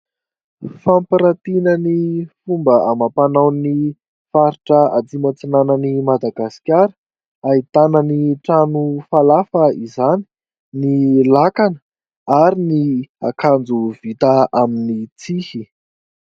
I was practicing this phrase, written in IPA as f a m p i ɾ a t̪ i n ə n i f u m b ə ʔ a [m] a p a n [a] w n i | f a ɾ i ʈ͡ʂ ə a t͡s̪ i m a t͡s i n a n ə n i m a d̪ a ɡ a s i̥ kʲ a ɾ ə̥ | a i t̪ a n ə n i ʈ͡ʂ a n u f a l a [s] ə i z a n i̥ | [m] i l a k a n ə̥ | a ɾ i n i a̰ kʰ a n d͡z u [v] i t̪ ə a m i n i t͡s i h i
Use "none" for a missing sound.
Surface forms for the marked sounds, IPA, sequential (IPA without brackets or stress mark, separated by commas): m, a, f, n, v